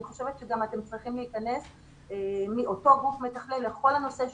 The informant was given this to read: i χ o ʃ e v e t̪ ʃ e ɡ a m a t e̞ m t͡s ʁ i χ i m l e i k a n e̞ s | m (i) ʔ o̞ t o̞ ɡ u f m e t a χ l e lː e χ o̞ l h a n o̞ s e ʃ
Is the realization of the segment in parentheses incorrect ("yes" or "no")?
no